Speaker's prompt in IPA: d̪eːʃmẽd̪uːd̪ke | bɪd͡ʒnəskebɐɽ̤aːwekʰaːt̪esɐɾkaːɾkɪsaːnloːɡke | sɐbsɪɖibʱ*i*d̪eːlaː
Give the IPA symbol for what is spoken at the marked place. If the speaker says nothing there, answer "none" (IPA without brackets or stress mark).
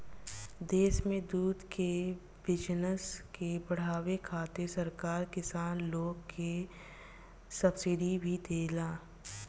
i